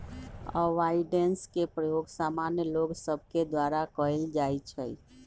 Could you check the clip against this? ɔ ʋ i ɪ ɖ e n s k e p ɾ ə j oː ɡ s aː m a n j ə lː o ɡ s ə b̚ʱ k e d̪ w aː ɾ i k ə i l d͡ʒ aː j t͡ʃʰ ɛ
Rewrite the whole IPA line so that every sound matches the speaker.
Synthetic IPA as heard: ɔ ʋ a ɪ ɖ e n s k e p ɾ ə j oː ɡ s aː m a n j ə l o ɡ s ə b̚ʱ k e d̪ w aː ɾ a k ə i l d͡ʒ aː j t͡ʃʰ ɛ